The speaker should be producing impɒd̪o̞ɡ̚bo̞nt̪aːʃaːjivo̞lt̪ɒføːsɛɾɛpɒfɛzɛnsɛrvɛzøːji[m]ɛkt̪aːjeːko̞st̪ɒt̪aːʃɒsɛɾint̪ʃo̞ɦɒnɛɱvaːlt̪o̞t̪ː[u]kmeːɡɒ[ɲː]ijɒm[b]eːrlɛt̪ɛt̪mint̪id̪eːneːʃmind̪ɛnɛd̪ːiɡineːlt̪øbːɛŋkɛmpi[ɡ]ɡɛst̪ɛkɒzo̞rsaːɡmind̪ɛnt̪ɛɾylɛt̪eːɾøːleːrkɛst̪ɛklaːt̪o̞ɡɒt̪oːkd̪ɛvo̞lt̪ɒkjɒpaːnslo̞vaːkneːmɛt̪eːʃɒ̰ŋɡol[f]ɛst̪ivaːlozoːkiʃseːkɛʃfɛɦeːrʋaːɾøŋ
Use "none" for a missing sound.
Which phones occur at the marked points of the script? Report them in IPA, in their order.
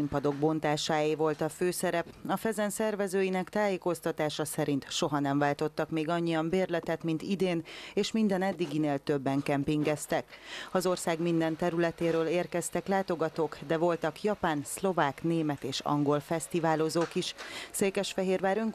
n, ɒ, ɲː, b, ŋ, f

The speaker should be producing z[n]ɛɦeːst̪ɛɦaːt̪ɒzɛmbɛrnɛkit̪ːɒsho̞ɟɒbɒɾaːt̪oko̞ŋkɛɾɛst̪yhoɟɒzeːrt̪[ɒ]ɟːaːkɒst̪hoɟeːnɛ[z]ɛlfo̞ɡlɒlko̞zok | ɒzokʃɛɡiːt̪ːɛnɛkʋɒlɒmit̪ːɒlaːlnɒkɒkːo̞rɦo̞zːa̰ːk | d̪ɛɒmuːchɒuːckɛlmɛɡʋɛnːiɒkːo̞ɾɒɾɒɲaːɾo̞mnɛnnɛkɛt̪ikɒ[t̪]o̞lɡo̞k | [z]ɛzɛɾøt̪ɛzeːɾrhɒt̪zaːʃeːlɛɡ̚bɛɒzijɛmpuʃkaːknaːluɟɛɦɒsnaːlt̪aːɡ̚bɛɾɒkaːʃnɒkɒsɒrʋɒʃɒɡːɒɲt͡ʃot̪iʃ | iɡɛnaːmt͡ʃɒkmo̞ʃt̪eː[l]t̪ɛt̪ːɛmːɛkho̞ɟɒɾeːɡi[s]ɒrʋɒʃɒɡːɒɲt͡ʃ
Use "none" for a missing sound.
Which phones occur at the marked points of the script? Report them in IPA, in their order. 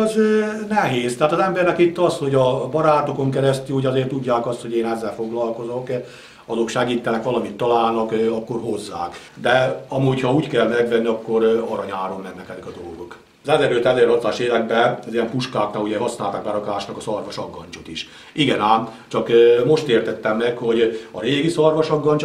n, u, zː, d̪, z, r, s

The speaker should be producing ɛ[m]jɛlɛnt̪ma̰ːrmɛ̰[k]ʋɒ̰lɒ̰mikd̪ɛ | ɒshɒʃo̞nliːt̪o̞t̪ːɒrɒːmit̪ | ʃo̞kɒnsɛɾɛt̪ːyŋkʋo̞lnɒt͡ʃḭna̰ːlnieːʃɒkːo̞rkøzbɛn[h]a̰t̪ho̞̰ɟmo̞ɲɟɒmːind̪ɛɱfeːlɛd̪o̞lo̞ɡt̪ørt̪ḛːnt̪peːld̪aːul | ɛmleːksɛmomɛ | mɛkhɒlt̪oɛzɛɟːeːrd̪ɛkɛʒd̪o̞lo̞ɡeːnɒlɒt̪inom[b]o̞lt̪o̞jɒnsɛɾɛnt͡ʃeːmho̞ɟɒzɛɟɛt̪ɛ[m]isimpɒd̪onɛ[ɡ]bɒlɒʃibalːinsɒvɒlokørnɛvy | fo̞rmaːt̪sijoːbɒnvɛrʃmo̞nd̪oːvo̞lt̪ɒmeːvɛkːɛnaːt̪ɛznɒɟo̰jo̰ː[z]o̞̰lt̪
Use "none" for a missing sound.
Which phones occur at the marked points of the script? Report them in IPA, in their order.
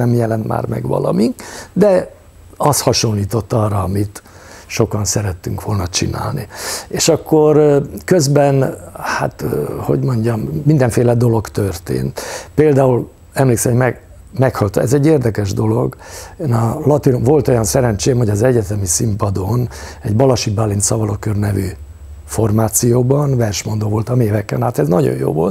m, ɡ, h, v, m, ɟ, v

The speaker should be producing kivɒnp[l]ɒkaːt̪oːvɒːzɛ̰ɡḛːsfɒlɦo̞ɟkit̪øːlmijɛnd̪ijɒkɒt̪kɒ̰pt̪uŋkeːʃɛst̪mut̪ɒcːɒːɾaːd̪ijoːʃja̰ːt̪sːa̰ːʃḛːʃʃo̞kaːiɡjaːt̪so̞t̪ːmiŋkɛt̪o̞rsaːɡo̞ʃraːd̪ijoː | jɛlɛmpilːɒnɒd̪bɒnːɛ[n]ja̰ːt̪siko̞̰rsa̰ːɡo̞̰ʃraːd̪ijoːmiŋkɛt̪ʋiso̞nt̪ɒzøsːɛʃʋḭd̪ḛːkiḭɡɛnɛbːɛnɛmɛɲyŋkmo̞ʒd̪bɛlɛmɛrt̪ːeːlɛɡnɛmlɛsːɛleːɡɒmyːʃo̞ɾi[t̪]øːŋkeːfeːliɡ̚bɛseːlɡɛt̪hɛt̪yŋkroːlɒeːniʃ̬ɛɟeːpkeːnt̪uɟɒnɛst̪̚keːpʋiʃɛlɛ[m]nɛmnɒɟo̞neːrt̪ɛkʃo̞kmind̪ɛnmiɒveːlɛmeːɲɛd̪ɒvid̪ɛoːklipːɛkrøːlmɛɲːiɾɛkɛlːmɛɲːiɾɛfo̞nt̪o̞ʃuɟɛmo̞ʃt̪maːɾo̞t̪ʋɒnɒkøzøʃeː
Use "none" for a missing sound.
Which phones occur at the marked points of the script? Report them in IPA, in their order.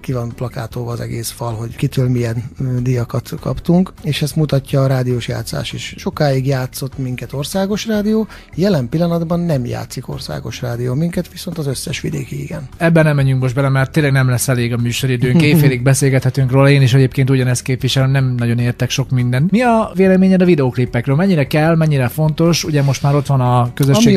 l, m, d̪, m

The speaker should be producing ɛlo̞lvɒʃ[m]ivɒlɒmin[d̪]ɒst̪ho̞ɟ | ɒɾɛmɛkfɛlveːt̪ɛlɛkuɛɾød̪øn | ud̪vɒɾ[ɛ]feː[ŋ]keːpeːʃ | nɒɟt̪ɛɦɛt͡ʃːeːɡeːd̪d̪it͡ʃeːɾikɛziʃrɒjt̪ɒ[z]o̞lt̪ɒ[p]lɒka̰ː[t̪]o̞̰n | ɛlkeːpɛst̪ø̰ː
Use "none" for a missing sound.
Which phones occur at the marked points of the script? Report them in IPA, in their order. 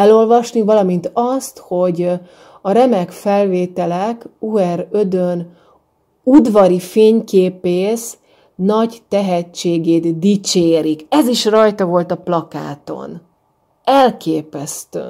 n, t̪, i, ɲ, v, p, t̪

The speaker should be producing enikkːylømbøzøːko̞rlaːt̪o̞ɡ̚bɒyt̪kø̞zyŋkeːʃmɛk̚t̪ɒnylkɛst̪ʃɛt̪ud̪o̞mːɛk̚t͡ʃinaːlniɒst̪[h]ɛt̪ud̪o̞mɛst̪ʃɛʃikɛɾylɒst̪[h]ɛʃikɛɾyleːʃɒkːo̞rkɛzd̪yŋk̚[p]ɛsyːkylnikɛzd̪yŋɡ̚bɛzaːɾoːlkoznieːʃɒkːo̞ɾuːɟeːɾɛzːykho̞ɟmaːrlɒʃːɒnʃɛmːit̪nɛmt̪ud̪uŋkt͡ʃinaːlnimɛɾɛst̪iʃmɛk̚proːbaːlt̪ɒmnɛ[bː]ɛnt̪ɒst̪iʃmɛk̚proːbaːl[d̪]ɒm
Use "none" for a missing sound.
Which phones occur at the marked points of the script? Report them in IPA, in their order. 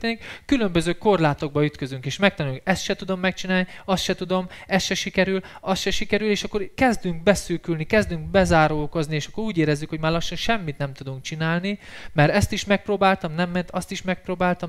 ʃ, ʃ, b, mː, t̪

